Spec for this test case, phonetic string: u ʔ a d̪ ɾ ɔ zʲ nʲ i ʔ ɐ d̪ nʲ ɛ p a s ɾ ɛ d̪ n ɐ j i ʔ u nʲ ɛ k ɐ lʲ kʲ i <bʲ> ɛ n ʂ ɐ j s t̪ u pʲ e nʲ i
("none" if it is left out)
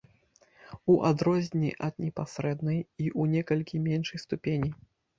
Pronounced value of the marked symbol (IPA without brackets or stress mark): mʲ